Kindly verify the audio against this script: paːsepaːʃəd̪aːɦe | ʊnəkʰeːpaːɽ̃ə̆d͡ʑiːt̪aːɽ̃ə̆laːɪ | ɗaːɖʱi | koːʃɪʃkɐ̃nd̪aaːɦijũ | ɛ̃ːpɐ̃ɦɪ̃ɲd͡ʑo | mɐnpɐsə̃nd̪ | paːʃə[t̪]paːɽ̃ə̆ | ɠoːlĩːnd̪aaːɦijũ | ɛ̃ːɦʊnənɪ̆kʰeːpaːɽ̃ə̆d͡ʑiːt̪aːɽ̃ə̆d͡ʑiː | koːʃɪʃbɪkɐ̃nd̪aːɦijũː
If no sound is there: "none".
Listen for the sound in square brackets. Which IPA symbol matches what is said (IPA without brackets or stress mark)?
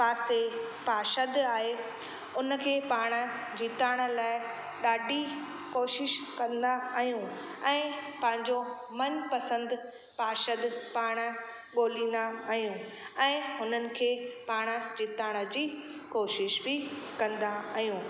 d̪